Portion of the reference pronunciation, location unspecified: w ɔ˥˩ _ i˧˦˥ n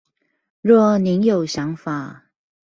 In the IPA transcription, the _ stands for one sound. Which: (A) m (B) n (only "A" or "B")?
B